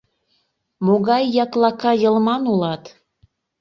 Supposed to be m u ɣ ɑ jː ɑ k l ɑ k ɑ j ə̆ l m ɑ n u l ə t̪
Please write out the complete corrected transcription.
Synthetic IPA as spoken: m o ɣ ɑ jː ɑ k l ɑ k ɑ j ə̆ l m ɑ n u l ɑ t̪